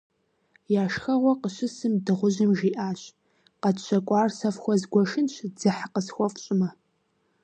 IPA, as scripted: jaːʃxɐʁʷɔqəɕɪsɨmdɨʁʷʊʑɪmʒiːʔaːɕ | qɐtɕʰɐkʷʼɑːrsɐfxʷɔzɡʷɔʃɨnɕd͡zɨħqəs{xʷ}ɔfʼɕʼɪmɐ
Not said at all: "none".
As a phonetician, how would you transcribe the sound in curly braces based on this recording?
xʷ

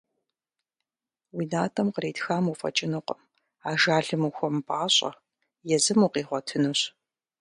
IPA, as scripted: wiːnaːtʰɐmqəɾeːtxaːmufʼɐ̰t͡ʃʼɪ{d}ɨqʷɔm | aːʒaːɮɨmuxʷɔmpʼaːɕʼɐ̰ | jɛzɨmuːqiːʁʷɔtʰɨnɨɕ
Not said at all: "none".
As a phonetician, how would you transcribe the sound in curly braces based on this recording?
n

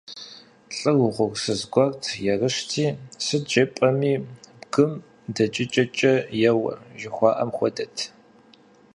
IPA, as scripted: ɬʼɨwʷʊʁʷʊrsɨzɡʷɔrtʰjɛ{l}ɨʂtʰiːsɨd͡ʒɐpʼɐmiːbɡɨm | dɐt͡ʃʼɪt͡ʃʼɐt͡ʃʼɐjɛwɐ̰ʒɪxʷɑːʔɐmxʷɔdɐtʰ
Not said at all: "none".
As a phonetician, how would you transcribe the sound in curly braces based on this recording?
r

